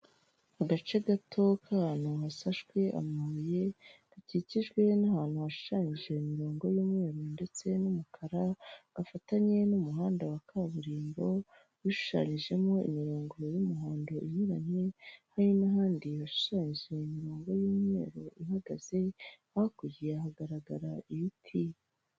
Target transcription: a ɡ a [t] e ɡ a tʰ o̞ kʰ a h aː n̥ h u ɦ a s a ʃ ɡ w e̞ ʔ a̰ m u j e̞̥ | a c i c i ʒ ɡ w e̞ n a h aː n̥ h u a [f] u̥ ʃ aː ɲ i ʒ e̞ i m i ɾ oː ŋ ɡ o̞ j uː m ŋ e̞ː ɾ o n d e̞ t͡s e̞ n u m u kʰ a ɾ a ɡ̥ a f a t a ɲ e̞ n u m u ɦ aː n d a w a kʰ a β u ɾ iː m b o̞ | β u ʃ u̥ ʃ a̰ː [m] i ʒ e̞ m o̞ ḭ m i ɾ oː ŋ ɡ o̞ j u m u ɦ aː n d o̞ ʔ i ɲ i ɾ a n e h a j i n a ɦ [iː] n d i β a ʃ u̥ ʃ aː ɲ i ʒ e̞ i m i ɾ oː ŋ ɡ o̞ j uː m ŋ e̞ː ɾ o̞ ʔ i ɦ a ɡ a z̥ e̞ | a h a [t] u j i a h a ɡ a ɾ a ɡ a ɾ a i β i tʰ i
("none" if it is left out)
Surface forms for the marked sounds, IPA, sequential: t͡ʃ, ʃ, ɲ, aː, k

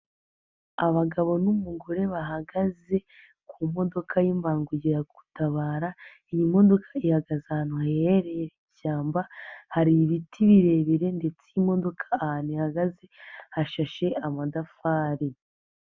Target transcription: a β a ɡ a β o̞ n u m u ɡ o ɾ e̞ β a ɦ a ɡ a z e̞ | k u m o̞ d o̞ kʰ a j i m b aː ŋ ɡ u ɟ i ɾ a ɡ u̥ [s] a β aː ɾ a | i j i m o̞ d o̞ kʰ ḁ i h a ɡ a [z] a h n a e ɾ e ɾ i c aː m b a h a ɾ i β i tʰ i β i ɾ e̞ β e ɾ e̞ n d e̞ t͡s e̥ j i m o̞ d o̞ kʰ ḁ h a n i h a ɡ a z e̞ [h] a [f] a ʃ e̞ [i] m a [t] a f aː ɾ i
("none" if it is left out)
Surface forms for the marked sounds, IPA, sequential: t, z, h, ʃ, a, d

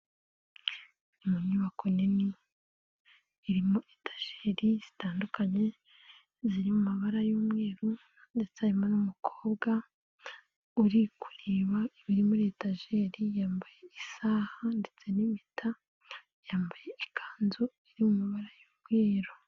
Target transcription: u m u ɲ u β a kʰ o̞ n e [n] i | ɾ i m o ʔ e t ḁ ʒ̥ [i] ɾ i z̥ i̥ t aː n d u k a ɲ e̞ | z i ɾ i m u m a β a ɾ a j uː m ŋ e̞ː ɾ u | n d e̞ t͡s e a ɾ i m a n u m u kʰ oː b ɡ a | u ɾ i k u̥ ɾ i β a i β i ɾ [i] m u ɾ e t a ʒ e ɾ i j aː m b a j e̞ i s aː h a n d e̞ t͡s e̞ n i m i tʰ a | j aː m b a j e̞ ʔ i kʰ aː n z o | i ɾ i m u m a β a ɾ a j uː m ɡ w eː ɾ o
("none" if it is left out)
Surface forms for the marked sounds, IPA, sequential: n, e, i

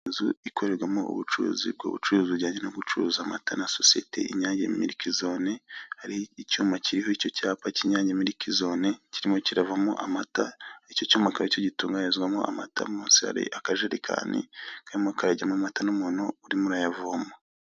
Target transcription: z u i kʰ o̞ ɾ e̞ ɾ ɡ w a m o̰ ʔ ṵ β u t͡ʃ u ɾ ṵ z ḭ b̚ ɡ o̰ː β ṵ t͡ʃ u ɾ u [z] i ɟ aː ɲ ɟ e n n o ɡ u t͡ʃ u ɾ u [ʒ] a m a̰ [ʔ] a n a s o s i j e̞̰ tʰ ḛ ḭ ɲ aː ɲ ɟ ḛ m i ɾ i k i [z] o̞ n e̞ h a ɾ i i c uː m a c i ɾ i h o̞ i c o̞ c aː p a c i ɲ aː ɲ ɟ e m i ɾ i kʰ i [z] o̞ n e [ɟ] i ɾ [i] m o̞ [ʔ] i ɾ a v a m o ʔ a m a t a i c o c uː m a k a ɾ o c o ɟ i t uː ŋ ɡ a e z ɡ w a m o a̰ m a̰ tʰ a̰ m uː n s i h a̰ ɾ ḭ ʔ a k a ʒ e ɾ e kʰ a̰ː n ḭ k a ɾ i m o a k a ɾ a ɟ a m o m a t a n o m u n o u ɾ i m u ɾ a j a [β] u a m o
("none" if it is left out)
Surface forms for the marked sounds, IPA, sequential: z, z, t, z, z, c, i, c, v

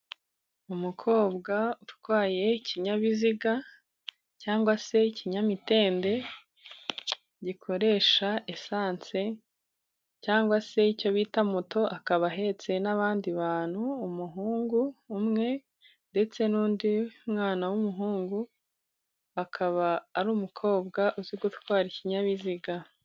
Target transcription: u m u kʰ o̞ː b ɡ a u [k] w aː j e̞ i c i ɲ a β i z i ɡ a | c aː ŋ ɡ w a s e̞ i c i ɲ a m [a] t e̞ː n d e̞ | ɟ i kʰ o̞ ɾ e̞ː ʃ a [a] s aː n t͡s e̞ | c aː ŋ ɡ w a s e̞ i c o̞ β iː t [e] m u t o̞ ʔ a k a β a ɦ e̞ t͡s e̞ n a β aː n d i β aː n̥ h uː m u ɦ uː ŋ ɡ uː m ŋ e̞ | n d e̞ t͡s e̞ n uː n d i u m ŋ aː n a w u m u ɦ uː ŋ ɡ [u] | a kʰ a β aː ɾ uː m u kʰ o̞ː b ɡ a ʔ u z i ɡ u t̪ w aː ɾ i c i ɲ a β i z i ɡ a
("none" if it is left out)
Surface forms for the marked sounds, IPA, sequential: t, i, e, a, u

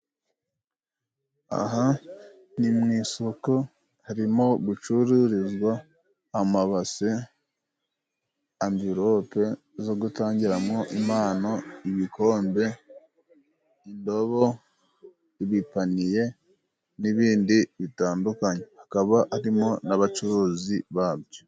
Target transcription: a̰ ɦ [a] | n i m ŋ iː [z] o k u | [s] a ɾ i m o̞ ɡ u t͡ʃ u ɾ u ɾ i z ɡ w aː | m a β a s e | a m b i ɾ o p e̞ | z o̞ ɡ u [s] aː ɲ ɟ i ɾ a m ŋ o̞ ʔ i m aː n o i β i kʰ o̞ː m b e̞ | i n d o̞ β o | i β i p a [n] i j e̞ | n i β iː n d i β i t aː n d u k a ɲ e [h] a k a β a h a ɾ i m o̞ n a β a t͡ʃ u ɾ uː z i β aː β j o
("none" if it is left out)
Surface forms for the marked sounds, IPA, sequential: a, s, h, t, n, h

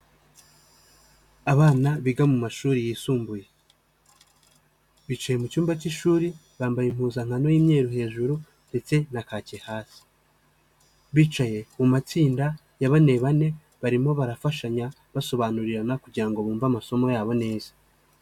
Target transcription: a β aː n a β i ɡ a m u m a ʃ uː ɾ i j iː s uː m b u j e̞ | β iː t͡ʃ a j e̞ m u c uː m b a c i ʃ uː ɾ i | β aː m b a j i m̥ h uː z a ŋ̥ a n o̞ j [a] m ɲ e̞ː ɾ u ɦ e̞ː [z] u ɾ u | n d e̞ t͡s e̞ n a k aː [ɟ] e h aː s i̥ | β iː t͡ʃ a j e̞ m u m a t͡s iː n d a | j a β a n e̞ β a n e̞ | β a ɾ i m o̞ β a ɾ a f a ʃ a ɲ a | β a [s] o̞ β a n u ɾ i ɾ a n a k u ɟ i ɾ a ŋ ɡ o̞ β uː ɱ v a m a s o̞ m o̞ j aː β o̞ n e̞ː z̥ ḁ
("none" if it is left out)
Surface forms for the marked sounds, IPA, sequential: i, ʒ, c, s

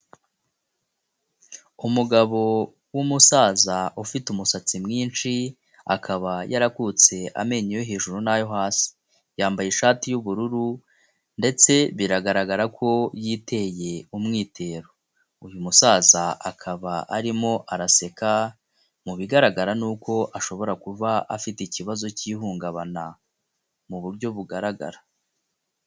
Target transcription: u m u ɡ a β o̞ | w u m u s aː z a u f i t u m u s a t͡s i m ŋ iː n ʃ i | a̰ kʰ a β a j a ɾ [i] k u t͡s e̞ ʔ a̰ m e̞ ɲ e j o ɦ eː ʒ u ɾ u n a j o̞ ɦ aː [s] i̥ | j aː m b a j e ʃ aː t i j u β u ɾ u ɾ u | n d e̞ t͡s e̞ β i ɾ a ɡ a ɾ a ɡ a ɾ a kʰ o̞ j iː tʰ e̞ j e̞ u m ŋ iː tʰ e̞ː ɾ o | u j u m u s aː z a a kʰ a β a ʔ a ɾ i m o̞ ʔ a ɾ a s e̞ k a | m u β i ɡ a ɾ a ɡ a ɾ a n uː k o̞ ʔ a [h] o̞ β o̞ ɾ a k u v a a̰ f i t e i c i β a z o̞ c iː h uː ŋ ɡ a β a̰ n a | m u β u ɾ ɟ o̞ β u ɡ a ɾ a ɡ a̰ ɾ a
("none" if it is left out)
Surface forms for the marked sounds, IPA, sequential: a, s, ʃ

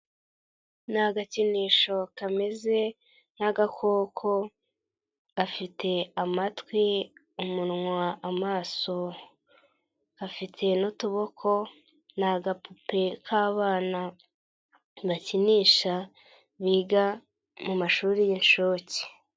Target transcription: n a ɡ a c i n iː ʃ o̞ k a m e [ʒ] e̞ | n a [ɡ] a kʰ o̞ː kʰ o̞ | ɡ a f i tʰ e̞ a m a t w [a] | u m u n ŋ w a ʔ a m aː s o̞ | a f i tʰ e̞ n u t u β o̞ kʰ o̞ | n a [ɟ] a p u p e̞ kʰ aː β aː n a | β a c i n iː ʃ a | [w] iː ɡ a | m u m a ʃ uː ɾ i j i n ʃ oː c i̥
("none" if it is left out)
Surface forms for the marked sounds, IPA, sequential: z, ɡ, i, ɡ, β

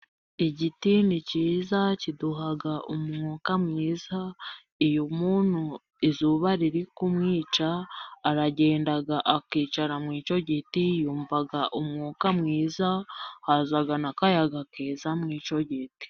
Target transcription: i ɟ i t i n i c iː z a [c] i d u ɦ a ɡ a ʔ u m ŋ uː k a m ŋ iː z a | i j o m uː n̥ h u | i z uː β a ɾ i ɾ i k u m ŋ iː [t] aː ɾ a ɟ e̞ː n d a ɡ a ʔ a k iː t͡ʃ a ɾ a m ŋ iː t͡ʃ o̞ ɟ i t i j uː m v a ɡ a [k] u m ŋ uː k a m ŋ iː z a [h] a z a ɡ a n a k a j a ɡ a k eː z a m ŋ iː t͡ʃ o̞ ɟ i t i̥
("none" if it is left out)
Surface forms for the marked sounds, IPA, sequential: c, t͡ʃ, ʔ, h

